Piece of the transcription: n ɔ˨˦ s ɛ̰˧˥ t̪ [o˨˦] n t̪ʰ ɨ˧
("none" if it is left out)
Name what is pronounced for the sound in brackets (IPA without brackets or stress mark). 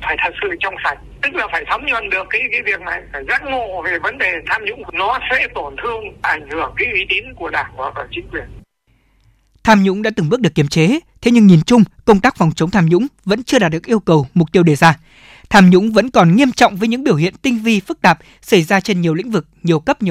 o˧˩